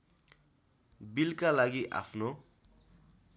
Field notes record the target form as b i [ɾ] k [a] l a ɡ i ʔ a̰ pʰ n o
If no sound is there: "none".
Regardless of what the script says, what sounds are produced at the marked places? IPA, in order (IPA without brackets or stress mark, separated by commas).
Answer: l, a